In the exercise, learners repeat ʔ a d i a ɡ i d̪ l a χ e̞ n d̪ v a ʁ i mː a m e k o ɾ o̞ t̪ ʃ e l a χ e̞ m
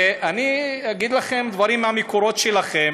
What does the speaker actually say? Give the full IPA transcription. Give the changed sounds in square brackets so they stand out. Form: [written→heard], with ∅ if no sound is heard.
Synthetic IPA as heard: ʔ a [d→n] i a ɡ i d̪ l a χ e̞ [n→m] d̪ v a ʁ i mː a m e k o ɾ o̞ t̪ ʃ e l a χ e̞ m